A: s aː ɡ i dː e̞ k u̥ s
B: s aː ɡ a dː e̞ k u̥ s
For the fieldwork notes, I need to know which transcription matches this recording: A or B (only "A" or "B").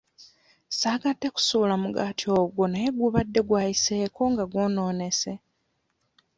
B